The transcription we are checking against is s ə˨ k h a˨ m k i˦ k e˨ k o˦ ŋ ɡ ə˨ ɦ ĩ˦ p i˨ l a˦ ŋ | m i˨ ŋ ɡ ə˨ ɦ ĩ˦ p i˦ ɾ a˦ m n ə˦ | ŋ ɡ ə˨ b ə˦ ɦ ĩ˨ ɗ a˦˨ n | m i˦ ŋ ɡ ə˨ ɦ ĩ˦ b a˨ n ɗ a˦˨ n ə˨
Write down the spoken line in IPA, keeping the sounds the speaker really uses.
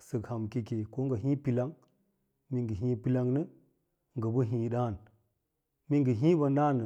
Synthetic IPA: s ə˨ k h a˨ m k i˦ k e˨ k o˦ ŋ ɡ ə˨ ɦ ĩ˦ p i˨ l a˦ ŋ | m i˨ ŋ ɡ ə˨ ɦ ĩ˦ p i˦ l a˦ ŋ n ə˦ | ŋ ɡ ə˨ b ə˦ ɦ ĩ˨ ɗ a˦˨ n | m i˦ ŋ ɡ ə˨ ɦ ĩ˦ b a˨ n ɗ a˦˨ n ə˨

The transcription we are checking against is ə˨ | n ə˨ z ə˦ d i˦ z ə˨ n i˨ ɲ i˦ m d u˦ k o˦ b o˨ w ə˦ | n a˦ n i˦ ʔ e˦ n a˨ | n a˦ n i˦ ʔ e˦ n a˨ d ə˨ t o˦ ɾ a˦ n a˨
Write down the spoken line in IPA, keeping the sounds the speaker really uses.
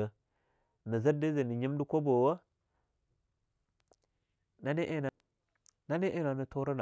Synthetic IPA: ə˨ | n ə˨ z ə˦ d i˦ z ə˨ n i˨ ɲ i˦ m d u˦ k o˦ b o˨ w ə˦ | n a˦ n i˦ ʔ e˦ n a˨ | n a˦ n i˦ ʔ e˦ n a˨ n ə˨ t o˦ ɾ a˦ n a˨

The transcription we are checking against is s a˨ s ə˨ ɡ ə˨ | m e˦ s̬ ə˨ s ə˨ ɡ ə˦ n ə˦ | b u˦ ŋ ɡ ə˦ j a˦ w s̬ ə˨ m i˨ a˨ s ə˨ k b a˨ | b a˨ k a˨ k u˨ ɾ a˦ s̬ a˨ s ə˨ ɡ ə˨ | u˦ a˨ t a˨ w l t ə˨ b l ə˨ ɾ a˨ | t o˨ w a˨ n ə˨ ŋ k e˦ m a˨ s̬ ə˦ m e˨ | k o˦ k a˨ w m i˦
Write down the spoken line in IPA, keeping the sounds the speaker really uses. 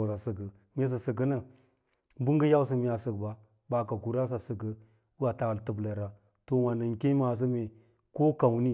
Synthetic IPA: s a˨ s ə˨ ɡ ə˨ | m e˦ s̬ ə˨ s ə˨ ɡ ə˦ n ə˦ | b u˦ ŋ ɡ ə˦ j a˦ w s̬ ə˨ m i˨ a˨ s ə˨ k b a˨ | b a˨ k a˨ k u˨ ɾ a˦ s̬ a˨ s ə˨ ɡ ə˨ | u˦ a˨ t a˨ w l t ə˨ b l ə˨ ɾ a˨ | t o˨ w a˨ n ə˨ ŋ k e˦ m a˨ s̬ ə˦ m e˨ | k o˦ k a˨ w n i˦

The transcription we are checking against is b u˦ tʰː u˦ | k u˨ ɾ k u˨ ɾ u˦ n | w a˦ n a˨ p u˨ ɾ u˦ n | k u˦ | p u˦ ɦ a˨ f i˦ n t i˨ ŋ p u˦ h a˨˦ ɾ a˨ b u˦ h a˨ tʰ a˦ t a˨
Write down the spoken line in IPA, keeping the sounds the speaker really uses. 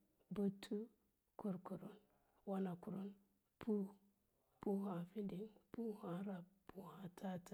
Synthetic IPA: b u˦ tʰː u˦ | k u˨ ɾ k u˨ ɾ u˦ n | w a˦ n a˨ k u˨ ɾ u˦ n | p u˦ | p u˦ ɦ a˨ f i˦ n d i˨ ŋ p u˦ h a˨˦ ɾ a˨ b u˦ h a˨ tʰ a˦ t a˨

